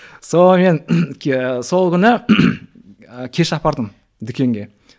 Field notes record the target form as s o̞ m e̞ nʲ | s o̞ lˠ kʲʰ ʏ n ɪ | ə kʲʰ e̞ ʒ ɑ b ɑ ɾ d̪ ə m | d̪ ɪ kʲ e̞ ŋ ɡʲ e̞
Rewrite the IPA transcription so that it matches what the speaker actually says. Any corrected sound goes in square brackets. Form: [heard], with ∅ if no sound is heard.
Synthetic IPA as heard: s o̞ m e̞ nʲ | s o̞ lˠ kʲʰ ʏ n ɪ | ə kʲʰ e̞ [ʃ] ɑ [p] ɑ ɾ d̪ ə m | d̪ ɪ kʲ e̞ ŋ ɡʲ e̞